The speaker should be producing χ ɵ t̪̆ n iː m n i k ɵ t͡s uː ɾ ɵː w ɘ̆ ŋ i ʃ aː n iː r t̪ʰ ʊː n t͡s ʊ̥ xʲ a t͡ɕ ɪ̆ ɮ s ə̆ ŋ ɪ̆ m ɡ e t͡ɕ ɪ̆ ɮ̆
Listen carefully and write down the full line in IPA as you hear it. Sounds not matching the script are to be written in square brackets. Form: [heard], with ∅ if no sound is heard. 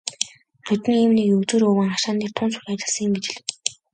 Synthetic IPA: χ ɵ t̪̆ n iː m n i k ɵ t͡s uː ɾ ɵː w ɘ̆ ŋ [a] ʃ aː n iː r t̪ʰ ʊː n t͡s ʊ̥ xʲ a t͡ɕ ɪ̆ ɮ s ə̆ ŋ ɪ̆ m ɡ e t͡ɕ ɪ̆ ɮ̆